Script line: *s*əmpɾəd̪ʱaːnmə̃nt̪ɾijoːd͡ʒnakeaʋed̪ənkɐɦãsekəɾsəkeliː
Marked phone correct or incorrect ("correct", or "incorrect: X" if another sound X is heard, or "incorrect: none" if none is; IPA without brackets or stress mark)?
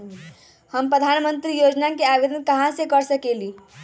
incorrect: h